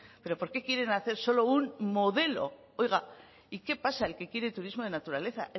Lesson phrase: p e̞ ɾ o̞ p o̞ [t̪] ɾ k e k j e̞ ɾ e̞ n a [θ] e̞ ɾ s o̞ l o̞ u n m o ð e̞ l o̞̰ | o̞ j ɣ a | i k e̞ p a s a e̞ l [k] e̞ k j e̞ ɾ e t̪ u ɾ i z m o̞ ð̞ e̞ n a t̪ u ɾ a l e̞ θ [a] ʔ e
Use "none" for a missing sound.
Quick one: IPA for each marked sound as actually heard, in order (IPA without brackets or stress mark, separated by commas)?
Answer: none, θ, k, a